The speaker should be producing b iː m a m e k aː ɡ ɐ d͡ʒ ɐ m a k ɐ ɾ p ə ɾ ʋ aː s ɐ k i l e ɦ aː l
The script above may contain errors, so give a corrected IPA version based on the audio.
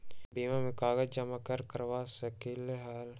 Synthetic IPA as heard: b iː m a m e k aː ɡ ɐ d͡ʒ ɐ m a k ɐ ɾ k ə ɾ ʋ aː s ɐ k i l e ɦ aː l